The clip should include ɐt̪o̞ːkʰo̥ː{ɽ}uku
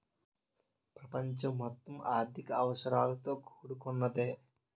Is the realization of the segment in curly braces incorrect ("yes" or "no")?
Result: no